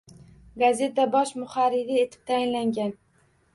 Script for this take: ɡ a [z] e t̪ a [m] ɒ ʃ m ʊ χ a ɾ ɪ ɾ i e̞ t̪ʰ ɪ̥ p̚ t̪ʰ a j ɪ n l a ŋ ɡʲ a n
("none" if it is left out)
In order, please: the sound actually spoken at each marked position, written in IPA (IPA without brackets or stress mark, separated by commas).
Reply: z, b